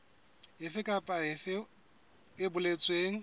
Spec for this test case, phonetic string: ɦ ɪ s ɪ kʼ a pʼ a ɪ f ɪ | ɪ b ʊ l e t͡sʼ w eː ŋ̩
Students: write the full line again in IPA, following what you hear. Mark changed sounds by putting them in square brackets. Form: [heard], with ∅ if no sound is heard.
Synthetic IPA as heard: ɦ ɪ [f] ɪ kʼ a pʼ a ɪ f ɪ | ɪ b ʊ l e t͡sʼ w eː ŋ̩